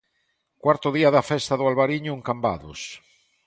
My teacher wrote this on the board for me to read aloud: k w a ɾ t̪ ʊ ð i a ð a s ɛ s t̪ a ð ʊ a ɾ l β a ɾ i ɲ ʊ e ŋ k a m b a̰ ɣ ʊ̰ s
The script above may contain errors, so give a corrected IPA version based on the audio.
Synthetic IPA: k w a ɾ t̪ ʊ ð i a ð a f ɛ s t̪ a ð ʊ a l β a ɾ i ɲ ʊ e ŋ k a m b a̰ ð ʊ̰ s